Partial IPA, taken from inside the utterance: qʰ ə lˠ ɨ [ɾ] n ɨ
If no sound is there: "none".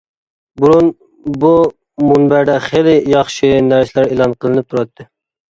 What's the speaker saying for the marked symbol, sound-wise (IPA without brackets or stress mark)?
none